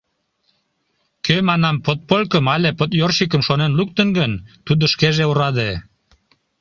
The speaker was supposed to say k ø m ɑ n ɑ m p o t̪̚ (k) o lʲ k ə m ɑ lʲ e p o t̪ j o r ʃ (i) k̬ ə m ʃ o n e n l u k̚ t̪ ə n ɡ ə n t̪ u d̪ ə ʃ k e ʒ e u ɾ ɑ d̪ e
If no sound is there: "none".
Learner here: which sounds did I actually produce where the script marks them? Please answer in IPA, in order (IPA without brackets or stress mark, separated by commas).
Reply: p, i